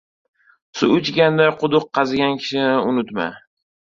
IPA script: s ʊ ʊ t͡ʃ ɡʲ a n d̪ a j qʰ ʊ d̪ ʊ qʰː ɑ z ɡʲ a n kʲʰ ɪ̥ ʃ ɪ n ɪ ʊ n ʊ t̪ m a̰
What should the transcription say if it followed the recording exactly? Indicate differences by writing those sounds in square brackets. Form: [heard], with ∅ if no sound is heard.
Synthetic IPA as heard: s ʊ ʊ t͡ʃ ɡʲ a n d̪ a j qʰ ʊ d̪ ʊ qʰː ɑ z ɡʲ a n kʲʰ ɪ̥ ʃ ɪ n ɪ ʊ n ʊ t̪ m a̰